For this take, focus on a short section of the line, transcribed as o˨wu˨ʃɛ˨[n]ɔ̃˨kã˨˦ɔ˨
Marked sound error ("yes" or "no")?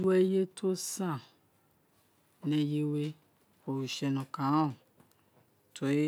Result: no